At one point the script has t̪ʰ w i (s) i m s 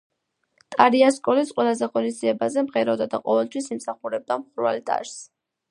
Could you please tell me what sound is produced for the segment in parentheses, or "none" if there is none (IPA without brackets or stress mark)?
s